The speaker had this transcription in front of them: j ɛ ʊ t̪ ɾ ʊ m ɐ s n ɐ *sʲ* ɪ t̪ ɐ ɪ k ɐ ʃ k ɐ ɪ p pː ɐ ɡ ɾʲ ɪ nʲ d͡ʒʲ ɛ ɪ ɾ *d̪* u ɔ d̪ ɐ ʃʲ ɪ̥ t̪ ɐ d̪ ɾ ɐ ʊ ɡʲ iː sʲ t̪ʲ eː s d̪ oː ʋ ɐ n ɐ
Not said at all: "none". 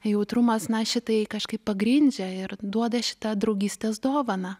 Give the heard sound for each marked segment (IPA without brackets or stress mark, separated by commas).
ʃʲ, d̪